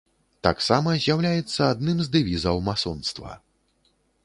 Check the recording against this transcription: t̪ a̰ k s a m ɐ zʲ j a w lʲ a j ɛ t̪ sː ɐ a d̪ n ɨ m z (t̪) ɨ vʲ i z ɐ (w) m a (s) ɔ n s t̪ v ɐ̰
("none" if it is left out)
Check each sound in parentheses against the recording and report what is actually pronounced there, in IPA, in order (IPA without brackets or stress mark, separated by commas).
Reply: d̪, w, s